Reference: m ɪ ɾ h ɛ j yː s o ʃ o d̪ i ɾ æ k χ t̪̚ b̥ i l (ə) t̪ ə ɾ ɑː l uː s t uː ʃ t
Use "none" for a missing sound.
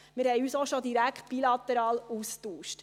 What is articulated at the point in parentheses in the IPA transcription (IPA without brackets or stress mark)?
ɑ